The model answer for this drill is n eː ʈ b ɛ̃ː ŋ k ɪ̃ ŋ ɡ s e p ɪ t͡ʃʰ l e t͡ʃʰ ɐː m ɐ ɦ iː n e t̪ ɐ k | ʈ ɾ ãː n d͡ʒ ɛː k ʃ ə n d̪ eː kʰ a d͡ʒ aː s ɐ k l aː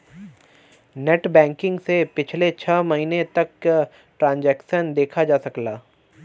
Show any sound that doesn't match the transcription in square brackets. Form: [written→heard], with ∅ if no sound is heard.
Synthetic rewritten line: n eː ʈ b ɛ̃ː ŋ k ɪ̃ ŋ ɡ s e p ɪ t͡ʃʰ l e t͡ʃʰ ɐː m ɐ ɦ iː n e t̪ ɐ k | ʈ ɾ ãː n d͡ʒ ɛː k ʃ ə n d̪ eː kʰ a d͡ʒ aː s ɐ k l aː

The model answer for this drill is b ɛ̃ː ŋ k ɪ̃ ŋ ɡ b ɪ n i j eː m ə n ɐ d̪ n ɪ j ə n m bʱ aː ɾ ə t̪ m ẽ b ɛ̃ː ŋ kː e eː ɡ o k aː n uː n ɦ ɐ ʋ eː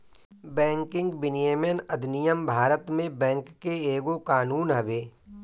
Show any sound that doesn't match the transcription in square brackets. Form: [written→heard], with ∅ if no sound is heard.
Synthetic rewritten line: b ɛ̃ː ŋ k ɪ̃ ŋ ɡ b ɪ n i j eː m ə n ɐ d̪ n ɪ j ə [n→∅] m bʱ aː ɾ ə t̪ m ẽ b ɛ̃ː ŋ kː e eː ɡ o k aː n uː n ɦ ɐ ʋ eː

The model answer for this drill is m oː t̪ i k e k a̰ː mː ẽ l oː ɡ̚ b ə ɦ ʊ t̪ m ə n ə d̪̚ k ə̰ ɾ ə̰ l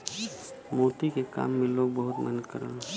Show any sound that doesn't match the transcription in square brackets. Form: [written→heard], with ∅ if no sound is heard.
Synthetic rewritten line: m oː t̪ i k e k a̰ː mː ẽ l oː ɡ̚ b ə ɦ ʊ t̪ m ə n ə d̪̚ k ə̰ ɾ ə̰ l

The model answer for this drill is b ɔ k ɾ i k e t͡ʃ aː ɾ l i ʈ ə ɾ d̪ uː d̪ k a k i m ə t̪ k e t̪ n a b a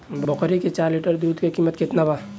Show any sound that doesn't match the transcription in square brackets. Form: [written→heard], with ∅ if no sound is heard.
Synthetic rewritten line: b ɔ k ɾ i k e t͡ʃ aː ɾ l i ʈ ə ɾ d̪ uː d̪ k [a→e] k i m ə t̪ k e t̪ n a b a

